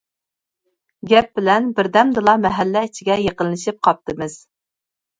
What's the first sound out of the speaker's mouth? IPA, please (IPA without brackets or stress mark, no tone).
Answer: ɡʲ